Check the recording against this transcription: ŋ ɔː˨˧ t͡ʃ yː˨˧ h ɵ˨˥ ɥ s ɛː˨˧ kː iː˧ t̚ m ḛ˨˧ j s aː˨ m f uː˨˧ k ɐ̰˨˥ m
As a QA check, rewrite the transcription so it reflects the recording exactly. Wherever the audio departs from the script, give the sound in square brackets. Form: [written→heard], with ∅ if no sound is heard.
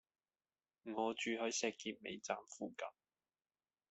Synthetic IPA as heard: ŋ ɔː˨˧ t͡ʃ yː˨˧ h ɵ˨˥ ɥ s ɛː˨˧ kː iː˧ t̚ m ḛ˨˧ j [s→t͡s] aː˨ m f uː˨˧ k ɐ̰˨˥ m